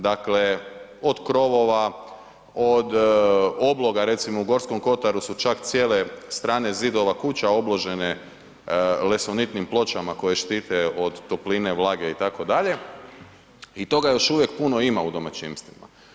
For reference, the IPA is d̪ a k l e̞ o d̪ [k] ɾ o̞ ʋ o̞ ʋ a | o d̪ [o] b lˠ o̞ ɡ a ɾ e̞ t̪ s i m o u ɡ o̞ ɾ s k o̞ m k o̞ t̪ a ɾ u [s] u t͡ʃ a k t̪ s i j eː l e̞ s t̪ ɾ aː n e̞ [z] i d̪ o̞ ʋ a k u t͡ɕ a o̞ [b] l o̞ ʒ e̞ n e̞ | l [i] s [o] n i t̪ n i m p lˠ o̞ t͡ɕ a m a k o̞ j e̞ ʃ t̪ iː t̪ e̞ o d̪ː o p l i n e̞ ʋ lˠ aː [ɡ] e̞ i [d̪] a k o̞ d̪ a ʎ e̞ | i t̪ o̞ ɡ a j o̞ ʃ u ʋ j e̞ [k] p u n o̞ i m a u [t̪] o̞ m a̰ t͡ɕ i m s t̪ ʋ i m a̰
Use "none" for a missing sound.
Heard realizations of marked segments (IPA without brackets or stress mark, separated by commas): k, o, s, z, b, e, o, ɡ, t̪, k, d̪